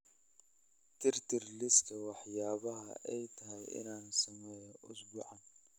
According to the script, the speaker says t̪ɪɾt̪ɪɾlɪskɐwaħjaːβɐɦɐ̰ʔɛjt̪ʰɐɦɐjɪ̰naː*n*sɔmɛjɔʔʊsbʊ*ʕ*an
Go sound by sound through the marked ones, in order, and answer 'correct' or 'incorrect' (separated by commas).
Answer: correct, correct